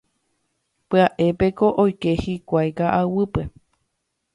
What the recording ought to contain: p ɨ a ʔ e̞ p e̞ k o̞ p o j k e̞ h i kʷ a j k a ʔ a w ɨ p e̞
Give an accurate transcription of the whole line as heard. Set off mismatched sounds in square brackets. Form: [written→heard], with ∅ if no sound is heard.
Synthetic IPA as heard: p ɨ a ʔ e̞ p e̞ k o̞ [p→ʔ] o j k e̞ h i kʷ a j k a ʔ a w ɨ p e̞

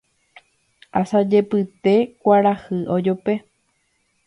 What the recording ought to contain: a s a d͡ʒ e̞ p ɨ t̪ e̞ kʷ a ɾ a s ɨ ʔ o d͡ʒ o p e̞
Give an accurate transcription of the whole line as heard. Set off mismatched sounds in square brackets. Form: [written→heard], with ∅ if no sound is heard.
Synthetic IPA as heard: a s a d͡ʒ e̞ p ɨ t̪ e̞ kʷ a ɾ a [s→h] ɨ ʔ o d͡ʒ o p e̞

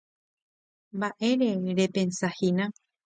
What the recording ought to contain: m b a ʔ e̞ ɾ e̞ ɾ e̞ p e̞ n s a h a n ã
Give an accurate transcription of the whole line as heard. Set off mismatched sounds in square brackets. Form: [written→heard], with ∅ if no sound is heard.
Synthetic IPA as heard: m b a ʔ e̞ ɾ e̞ ɾ e̞ p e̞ n s a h [a→i] n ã

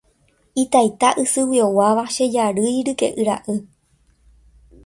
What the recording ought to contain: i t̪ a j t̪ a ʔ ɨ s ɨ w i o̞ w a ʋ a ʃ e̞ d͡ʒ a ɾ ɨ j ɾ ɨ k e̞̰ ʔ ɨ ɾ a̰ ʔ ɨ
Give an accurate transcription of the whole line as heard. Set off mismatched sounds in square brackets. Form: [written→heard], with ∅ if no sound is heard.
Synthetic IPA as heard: i t̪ a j t̪ a ʔ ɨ s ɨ w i o̞ w a ʋ a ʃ e̞ d͡ʒ a ɾ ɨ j ɾ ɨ k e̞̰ ʔ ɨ ɾ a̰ ʔ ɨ

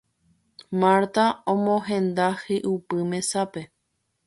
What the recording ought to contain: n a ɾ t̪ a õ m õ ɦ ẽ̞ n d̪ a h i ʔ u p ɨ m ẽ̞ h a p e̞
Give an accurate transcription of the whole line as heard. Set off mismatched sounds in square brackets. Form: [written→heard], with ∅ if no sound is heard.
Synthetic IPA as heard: [n→m] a ɾ t̪ a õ m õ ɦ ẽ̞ n d̪ a h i ʔ u p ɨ m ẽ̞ [h→s] a p e̞

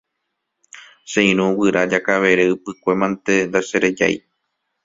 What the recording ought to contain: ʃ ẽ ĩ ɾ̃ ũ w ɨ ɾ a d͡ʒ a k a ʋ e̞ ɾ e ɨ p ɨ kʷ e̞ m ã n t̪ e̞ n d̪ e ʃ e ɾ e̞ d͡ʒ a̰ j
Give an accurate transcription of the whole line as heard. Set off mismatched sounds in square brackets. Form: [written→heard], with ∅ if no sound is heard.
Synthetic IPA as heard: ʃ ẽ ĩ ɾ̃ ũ w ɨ ɾ a d͡ʒ a k a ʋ e̞ ɾ e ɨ p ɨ kʷ e̞ m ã n t̪ e̞ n d̪ [e→a] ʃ e ɾ e̞ d͡ʒ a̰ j

